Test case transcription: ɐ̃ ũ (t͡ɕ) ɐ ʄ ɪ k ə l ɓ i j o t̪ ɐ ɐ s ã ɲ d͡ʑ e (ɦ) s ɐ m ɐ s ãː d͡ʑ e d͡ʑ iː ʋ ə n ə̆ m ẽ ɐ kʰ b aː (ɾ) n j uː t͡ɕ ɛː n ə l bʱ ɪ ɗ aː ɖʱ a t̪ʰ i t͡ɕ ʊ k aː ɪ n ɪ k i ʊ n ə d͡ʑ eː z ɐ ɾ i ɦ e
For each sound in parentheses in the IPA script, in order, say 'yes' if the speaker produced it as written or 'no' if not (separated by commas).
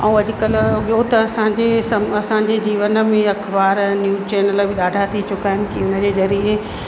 no, no, yes